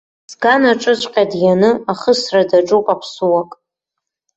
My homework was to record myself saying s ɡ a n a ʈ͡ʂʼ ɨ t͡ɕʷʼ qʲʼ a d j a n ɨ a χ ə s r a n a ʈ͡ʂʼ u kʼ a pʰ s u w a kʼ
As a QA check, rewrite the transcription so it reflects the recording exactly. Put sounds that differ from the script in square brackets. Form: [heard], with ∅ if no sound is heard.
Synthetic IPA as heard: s ɡ a n a ʈ͡ʂʼ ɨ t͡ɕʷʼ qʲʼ a d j a n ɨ a χ ə s r a [d] a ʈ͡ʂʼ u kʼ a pʰ s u w a kʼ